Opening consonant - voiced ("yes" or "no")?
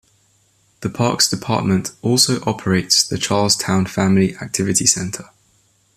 yes